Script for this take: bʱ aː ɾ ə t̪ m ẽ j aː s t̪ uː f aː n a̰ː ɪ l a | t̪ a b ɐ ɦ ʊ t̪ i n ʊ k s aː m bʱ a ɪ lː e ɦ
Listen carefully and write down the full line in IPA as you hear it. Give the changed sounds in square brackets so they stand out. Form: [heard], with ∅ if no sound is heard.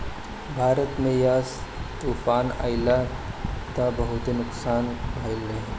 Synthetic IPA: bʱ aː ɾ ə t̪ m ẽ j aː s t̪ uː f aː n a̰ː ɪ l a | t̪ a b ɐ ɦ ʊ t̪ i n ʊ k s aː [n] bʱ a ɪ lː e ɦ